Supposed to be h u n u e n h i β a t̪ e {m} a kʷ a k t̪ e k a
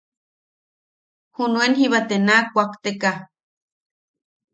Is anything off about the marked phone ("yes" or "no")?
yes